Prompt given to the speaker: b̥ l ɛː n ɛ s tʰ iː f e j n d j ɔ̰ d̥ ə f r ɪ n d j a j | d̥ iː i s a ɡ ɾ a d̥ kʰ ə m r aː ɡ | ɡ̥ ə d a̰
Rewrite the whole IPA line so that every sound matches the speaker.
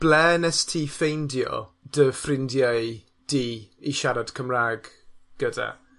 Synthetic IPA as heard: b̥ l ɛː n ɛ s tʰ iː f e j n d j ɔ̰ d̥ ə f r ɪ n d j a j | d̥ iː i ʃ a ɾ a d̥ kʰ ə m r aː ɡ | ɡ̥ ə d a̰